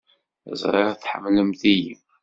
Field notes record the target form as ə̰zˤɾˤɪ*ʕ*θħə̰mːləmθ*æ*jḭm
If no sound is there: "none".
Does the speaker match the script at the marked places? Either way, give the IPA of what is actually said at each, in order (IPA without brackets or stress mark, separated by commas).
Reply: ʁ, i